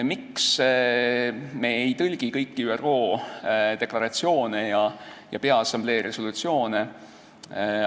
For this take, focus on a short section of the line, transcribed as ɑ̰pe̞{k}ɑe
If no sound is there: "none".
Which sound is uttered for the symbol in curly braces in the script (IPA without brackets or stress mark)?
none